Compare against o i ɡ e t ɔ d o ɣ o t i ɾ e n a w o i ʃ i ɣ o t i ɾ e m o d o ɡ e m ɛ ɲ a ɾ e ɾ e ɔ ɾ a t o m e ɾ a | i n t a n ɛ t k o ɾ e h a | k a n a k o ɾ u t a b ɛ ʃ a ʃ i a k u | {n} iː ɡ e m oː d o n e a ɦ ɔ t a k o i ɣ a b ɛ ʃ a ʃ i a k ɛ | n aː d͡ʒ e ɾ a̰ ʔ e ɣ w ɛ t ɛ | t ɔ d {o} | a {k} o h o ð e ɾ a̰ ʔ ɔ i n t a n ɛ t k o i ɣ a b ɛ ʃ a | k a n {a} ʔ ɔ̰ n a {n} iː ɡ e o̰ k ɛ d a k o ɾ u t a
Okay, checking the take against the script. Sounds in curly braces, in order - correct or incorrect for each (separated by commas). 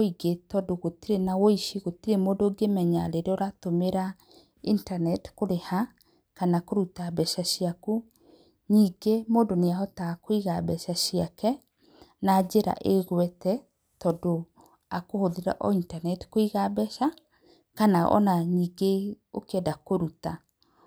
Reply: incorrect, correct, correct, correct, incorrect